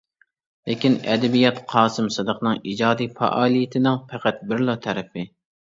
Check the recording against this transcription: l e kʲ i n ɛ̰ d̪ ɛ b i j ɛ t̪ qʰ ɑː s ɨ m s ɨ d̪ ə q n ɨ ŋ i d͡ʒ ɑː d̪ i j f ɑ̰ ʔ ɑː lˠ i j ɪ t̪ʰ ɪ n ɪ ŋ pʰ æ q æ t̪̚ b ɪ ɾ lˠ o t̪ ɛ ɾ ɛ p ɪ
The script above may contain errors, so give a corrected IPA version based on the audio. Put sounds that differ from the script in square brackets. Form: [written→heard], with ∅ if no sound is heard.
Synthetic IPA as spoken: l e kʲ i n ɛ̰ d̪ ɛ b i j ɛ t̪ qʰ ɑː s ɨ m s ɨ d̪ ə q n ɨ ŋ i d͡ʒ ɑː d̪ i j f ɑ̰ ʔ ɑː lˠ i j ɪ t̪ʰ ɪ n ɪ ŋ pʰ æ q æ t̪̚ b ɪ ɾ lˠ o [t̪→t̪ʰ] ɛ ɾ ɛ p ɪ